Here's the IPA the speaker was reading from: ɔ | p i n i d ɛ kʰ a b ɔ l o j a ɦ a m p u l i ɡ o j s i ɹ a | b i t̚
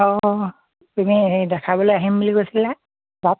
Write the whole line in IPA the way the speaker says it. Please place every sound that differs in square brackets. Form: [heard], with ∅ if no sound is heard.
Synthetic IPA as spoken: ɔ | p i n i d ɛ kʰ a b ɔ l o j a ɦ [i] m [b] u l i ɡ o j s i [l] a | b [a] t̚